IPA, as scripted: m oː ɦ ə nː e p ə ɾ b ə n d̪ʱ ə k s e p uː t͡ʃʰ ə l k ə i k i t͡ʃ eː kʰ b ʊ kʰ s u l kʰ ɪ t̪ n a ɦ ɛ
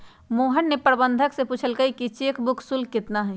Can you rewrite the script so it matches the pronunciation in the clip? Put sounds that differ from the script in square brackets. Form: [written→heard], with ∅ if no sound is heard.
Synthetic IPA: m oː ɦ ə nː e p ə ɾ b ə n d̪ʱ ə k s e p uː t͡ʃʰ ə l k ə i k i t͡ʃ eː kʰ b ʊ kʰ s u l [kʰ→k] ɪ t̪ n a ɦ ɛ